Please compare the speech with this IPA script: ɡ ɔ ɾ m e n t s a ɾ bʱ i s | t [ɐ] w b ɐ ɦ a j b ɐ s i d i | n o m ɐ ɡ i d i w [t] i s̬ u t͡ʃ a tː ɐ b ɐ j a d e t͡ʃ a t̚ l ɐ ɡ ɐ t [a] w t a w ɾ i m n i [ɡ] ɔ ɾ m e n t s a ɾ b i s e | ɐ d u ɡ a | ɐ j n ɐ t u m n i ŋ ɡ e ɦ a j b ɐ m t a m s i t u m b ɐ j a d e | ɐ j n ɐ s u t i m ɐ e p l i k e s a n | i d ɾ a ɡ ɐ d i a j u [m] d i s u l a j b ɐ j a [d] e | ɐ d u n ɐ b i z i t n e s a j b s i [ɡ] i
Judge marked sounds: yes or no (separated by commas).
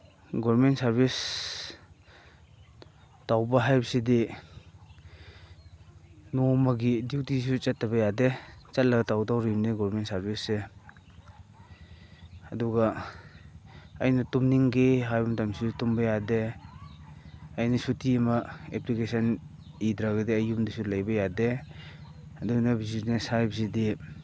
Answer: no, yes, yes, yes, yes, yes, no